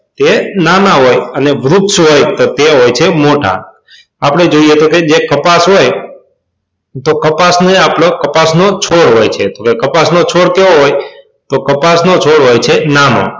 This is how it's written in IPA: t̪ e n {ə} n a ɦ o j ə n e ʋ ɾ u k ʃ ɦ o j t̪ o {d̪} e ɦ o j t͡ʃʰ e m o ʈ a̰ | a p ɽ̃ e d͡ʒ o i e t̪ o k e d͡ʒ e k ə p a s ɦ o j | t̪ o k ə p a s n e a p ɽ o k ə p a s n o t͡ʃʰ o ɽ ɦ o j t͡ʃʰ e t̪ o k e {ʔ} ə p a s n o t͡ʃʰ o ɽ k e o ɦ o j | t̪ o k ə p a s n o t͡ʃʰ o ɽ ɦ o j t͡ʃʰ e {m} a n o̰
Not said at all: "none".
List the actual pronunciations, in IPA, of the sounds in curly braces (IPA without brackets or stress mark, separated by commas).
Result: a, t̪, k, n